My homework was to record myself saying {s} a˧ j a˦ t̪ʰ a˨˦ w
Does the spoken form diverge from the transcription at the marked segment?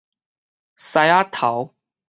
no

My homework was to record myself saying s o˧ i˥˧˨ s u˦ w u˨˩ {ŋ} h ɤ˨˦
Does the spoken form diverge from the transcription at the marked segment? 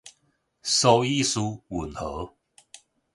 yes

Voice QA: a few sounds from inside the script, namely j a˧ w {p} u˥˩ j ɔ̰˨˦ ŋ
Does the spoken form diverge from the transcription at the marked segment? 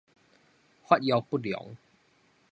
no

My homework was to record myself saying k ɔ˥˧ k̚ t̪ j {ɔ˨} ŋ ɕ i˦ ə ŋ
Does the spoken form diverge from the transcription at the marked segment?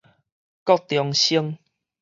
no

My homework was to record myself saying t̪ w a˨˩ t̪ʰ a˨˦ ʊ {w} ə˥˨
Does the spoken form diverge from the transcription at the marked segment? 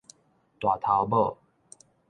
yes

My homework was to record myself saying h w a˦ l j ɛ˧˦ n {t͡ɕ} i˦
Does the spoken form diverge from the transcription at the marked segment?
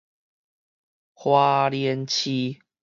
yes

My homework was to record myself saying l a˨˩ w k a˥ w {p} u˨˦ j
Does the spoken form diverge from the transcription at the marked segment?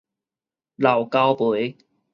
no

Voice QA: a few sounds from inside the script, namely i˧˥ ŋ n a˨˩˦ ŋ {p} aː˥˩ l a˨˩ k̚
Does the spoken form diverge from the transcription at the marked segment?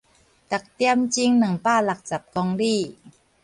no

